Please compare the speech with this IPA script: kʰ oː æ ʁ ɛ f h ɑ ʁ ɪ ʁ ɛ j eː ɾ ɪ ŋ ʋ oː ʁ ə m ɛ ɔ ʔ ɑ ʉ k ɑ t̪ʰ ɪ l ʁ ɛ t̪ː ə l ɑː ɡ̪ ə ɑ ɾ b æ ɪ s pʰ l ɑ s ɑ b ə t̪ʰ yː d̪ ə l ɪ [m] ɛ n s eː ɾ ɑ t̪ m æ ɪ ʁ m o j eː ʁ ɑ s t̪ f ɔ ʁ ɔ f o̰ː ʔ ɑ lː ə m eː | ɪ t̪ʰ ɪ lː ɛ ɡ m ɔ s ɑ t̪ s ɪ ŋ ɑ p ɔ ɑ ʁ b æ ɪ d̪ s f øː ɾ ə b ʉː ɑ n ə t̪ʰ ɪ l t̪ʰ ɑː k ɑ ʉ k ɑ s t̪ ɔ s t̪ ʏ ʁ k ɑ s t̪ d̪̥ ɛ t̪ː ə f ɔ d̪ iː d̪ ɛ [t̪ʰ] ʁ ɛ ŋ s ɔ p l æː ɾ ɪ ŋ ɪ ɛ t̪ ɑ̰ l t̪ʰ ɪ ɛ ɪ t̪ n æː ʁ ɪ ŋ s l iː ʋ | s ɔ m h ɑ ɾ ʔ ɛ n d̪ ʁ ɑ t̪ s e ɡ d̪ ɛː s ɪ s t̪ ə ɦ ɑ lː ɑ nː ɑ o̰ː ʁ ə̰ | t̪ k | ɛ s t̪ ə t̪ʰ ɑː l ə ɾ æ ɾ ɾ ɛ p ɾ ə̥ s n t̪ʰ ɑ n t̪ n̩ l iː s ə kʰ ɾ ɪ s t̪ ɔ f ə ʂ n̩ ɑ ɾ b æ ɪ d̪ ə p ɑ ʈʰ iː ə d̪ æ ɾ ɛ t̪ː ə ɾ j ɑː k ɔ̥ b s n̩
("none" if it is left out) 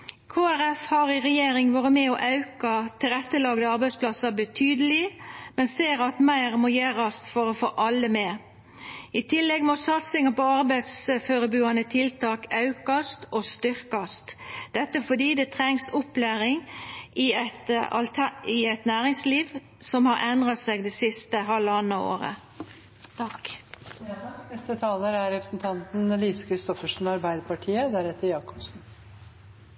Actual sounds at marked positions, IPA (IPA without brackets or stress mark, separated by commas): m, t̪ʰ